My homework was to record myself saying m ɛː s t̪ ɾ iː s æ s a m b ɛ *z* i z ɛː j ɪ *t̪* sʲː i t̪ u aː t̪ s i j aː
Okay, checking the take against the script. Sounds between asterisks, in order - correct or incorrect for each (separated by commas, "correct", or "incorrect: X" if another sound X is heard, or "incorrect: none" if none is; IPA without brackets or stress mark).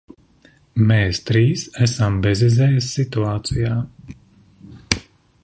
correct, incorrect: none